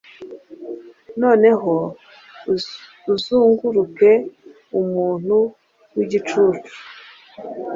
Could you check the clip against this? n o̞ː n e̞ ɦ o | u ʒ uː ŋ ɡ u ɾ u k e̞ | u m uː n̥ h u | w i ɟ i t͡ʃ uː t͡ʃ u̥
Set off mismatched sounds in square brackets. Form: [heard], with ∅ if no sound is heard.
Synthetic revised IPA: n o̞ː n e̞ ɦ o | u [z] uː ŋ ɡ u ɾ u k e̞ | u m uː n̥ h u | w i ɟ i t͡ʃ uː t͡ʃ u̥